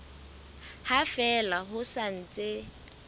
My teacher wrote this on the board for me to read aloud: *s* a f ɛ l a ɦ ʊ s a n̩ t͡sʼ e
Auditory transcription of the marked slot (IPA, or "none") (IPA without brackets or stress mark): h